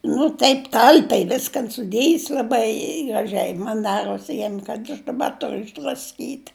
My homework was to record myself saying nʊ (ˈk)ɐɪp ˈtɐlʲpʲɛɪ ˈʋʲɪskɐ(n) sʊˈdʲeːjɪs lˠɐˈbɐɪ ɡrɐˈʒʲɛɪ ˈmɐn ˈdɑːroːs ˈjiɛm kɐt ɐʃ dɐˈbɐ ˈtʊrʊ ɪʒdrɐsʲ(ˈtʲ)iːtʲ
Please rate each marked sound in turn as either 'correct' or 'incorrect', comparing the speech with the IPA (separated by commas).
incorrect, correct, incorrect